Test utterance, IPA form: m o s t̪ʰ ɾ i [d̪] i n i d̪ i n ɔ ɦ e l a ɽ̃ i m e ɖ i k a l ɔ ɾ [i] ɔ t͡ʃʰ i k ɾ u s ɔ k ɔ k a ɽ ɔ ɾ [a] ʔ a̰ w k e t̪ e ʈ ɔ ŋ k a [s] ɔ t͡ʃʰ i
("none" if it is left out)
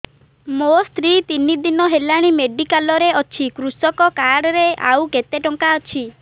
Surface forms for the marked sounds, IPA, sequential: t̪, e, e, none

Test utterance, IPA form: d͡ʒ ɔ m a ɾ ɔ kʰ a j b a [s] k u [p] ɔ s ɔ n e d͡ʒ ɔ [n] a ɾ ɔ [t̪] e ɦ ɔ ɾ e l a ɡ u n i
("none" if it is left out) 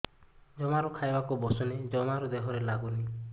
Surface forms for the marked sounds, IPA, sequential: none, b, m, d̪

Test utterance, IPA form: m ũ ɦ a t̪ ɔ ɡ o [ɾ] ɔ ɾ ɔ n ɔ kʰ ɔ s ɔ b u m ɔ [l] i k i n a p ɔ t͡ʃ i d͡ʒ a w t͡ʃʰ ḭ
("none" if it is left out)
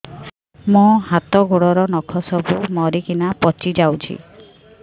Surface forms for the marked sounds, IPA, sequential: ɽ, ɾ

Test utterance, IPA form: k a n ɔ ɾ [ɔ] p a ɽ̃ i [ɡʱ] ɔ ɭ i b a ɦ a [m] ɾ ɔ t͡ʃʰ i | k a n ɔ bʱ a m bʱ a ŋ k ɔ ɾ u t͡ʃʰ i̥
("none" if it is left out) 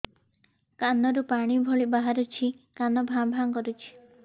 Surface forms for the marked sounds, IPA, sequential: u, bʱ, none

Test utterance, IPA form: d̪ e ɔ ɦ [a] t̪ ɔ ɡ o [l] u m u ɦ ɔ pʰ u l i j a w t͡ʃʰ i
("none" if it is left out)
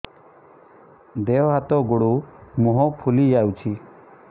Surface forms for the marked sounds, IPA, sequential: a, ɽ

